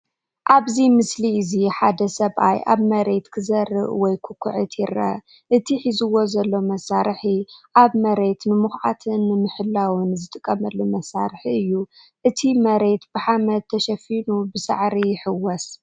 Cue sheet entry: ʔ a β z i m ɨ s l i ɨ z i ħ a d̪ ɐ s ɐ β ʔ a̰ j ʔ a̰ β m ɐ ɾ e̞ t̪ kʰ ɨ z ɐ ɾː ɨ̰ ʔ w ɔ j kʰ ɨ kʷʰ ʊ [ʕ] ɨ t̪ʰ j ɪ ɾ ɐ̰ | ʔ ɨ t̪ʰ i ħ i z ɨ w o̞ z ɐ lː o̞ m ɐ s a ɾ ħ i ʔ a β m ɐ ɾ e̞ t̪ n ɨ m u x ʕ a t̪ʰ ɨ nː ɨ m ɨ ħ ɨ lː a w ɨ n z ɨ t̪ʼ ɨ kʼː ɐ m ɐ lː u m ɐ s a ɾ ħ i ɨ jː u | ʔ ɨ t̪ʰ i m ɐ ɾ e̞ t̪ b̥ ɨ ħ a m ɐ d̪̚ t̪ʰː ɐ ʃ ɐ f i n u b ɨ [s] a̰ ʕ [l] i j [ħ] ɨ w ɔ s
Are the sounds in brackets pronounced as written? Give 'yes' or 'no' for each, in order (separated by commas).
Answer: yes, yes, no, yes